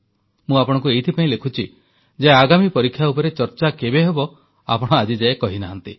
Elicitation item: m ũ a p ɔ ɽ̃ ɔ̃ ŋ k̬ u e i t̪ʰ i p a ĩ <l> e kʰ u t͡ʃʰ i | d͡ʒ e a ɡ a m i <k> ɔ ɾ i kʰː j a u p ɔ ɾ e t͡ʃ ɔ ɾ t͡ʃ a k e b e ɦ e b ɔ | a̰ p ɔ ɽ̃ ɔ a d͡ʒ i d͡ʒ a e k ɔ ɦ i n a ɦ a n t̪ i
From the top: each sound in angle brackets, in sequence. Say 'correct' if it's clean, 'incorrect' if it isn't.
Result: correct, incorrect: p

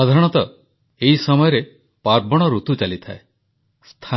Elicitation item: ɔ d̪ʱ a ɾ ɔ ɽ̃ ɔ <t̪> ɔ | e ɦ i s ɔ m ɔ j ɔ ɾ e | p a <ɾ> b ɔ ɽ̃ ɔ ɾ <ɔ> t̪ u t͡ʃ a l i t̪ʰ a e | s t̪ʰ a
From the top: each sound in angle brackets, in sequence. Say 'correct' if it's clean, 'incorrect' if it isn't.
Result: correct, correct, incorrect: u

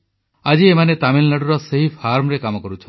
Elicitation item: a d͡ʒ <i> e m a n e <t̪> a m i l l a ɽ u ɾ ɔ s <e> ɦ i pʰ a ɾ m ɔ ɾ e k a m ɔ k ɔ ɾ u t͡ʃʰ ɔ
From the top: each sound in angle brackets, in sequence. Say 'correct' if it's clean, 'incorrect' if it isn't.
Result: correct, correct, correct

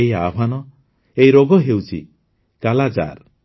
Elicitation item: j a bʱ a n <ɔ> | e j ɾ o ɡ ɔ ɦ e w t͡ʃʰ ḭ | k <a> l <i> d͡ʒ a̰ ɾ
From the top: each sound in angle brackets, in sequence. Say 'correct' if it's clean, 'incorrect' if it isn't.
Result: correct, correct, incorrect: a

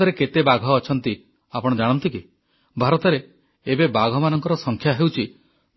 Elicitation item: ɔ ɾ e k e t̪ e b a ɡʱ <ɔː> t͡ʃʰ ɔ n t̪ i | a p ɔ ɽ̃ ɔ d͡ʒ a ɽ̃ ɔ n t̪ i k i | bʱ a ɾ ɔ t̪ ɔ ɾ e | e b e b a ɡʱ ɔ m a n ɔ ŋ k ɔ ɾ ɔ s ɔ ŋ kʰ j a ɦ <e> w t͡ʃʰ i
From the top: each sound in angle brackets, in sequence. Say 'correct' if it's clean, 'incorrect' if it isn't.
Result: correct, correct

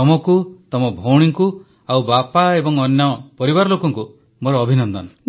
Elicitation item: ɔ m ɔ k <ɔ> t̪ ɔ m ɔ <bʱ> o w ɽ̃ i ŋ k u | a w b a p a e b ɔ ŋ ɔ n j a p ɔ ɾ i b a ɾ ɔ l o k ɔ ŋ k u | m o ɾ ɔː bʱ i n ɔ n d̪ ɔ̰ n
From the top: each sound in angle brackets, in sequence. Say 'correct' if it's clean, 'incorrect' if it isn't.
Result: incorrect: u, correct

